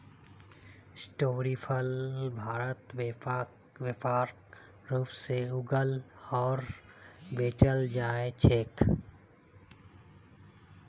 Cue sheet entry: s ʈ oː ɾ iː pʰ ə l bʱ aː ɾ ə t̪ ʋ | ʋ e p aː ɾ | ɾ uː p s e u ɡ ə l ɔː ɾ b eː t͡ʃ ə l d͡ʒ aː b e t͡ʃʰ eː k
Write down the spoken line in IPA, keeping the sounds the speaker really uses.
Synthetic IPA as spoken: s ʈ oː ɾ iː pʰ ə l bʱ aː ɾ ə t̪ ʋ | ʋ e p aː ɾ | ɾ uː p s e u ɡ ə l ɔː ɾ b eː t͡ʃ ə l d͡ʒ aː e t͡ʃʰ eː k